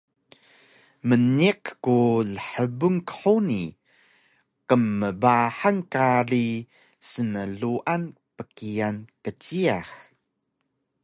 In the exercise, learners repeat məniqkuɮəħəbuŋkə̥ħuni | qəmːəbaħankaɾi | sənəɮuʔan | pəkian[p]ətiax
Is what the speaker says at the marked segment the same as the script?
no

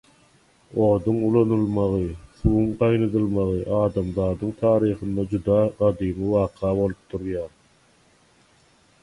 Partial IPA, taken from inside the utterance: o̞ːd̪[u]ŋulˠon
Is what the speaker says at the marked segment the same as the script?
yes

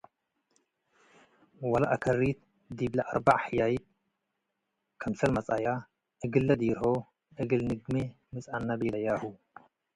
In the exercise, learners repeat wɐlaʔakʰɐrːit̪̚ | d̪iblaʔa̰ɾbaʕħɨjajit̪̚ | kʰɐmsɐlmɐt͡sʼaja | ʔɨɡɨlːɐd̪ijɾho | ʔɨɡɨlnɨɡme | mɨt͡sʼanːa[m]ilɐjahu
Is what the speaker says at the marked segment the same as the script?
no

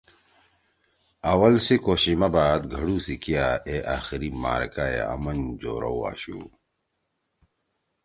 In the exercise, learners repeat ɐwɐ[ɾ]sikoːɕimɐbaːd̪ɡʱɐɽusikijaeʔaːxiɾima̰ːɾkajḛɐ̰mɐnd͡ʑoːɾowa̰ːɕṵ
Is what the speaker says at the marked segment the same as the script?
no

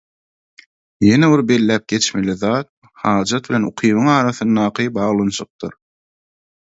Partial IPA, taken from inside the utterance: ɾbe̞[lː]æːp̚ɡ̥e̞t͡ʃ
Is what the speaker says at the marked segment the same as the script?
yes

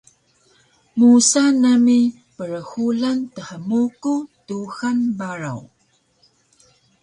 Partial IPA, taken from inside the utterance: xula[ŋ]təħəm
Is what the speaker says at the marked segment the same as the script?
no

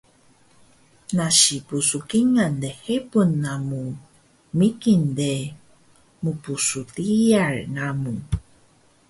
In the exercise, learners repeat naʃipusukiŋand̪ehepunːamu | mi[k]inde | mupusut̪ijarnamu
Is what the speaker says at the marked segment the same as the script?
yes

